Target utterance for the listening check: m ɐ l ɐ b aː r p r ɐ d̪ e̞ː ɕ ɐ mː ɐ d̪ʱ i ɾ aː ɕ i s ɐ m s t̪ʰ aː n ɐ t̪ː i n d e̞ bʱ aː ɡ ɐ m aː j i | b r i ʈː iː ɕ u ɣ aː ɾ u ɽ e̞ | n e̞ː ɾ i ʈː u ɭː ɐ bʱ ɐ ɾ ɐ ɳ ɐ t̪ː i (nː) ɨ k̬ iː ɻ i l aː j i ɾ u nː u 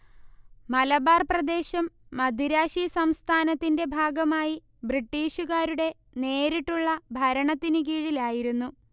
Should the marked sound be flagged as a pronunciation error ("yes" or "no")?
yes